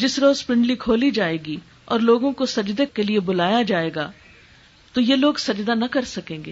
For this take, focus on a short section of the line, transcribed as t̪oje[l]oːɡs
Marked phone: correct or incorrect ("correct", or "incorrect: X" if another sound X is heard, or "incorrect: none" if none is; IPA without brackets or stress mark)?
correct